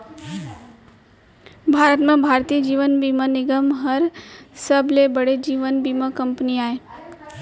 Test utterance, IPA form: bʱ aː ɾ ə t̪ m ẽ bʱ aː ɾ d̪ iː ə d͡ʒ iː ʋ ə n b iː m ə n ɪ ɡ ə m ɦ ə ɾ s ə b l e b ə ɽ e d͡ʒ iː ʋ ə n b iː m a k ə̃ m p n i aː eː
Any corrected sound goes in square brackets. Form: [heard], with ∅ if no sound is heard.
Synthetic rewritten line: bʱ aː ɾ ə t̪ m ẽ bʱ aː ɾ [t̪] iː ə d͡ʒ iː ʋ ə n b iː m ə n ɪ ɡ ə m ɦ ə ɾ s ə b l e b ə ɽ e d͡ʒ iː ʋ ə n b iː m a k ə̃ m p n i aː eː